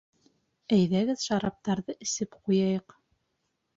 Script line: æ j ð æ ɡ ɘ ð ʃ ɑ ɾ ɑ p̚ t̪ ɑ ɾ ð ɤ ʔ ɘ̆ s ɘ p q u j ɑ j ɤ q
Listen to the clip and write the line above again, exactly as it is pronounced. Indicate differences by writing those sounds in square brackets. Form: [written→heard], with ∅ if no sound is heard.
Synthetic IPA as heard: æ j ð æ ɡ ɘ ð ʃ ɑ ɾ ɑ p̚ t̪ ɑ ɾ ð ɤ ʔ ɘ̆ s ɘ p q u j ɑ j ɤ q